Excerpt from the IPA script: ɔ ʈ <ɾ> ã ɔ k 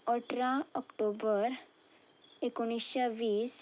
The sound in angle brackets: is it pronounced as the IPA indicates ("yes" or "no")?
yes